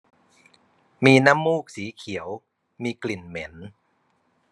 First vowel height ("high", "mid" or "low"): high